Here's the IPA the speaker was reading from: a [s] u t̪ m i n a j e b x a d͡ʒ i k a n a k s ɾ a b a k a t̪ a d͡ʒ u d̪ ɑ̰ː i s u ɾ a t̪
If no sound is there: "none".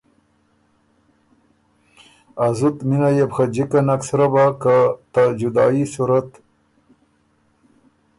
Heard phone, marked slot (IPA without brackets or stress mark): z